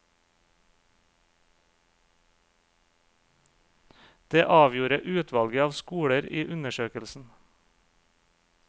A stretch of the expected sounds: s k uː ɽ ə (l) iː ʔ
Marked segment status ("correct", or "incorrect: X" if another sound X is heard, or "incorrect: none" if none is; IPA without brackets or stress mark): incorrect: ɾ